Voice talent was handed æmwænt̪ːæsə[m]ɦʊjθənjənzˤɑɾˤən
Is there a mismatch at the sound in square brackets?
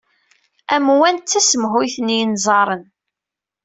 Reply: no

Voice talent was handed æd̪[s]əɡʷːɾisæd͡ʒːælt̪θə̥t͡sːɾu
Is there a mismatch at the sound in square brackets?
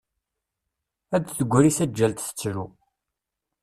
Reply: yes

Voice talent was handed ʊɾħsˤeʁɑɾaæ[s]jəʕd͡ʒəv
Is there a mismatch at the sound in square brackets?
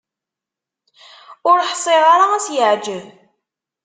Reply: no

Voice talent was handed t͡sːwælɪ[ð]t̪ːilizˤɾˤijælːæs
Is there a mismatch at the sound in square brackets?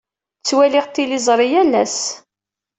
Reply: yes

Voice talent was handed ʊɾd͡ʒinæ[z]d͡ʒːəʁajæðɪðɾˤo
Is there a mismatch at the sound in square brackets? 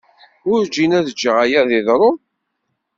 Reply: yes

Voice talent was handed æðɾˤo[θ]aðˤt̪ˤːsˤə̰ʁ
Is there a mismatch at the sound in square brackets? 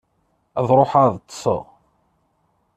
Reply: yes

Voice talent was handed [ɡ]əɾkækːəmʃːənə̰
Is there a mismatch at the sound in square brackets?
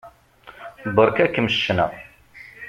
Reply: yes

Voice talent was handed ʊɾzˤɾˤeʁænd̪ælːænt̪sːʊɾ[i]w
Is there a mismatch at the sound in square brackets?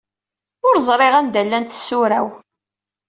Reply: yes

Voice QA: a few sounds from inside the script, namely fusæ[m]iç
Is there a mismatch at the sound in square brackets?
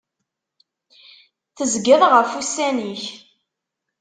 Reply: yes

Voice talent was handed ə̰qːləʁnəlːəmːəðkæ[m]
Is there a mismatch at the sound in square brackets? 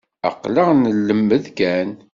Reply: yes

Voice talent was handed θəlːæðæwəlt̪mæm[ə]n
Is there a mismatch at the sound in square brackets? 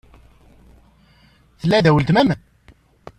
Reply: no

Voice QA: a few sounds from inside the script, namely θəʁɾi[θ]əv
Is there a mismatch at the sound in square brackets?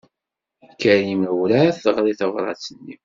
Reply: no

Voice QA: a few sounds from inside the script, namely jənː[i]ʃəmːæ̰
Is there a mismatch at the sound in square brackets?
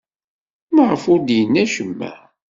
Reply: yes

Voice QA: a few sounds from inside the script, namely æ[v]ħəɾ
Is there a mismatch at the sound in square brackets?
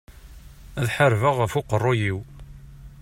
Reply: yes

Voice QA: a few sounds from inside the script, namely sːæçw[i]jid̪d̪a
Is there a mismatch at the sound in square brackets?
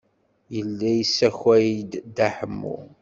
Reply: yes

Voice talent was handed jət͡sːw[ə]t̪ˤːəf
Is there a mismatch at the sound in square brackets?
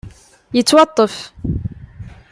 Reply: yes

